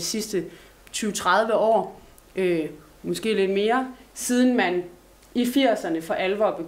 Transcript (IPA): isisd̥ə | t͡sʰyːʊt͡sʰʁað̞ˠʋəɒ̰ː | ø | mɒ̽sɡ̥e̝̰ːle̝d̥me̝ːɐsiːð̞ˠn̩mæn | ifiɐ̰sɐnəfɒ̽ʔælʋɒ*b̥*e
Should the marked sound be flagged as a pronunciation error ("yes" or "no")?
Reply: no